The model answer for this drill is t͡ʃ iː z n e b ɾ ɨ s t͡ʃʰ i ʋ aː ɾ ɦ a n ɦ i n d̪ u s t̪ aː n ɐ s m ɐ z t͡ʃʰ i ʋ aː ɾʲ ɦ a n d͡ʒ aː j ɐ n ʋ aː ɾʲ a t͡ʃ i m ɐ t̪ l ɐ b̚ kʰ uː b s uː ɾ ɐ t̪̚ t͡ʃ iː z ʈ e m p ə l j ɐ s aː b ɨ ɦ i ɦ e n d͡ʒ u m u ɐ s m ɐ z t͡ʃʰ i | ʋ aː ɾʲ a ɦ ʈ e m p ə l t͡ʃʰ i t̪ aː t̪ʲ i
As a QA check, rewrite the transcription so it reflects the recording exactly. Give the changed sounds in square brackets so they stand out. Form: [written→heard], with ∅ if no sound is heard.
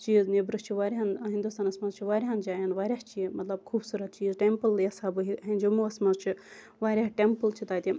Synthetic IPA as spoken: t͡ʃ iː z n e b ɾ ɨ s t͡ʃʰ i ʋ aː ɾ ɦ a n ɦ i n d̪ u s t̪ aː n ɐ s m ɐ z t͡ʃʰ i ʋ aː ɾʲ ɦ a n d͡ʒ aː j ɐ n ʋ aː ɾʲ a t͡ʃ i m ɐ t̪ l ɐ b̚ kʰ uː b s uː ɾ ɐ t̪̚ t͡ʃ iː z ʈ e m p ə l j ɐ s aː b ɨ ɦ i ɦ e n d͡ʒ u m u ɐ s m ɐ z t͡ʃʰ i | ʋ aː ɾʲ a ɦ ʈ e m p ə l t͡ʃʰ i t̪ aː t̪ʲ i